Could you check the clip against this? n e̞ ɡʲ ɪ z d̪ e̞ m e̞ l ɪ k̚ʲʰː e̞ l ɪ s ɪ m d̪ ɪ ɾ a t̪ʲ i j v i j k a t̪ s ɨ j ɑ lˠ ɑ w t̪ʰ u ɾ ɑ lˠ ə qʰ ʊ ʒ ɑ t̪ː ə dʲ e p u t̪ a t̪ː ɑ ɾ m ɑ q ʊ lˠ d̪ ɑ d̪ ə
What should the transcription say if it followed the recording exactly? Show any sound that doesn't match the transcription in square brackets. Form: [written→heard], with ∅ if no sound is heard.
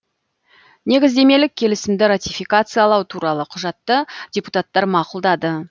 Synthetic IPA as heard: n e̞ ɡʲ ɪ z d̪ e̞ m e̞ l ɪ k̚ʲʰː e̞ l ɪ s ɪ m d̪ ɪ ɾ a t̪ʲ i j [v→f] i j k a t̪ s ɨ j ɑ lˠ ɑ w t̪ʰ u ɾ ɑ lˠ ə qʰ ʊ ʒ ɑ t̪ː ə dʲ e p u t̪ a t̪ː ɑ ɾ m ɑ q ʊ lˠ d̪ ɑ d̪ ə